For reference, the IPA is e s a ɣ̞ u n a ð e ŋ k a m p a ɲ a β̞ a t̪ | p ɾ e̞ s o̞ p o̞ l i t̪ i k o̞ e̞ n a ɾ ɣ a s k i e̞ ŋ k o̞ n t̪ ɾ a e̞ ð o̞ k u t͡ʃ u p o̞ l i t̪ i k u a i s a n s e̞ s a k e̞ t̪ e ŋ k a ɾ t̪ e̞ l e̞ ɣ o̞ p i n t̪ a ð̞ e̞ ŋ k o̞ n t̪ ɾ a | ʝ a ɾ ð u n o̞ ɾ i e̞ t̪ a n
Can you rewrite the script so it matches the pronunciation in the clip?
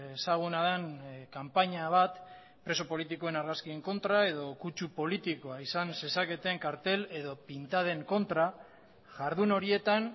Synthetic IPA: e s a ɣ̞ u n a ð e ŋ k a m p a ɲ a β̞ a t̪ | p ɾ e̞ s o̞ p o̞ l i t̪ i k o̞ e̞ n a ɾ ɣ a s k i e̞ ŋ k o̞ n t̪ ɾ a e̞ ð o̞ k u t͡ʃ u p o̞ l i t̪ i k o a i s a n s e̞ s a k e̞ t̪ e ŋ k a ɾ t̪ e̞ l e̞ ð o̞ p i n t̪ a ð̞ e̞ ŋ k o̞ n t̪ ɾ a | ʝ a ɾ ð u n o̞ ɾ i e̞ t̪ a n